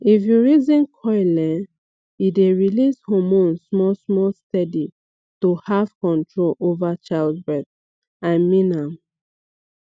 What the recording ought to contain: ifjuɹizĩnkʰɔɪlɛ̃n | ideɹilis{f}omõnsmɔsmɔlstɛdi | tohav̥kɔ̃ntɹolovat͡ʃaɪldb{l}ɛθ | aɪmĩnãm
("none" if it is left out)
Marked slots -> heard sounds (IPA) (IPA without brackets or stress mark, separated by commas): h, ɹ